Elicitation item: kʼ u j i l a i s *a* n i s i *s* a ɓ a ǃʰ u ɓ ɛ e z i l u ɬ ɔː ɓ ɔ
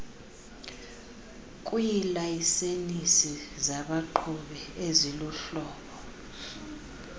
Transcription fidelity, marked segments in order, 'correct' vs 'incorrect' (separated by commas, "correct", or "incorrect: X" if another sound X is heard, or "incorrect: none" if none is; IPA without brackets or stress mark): incorrect: e, incorrect: z